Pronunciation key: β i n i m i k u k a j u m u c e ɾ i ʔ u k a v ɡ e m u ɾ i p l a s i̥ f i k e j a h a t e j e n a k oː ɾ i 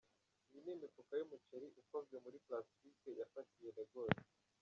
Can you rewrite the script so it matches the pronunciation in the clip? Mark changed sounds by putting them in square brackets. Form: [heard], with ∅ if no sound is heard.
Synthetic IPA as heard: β i n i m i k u k a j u m u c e ɾ i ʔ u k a v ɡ e m u ɾ i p l a s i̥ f i k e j a [f] a t [i] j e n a [ɡ] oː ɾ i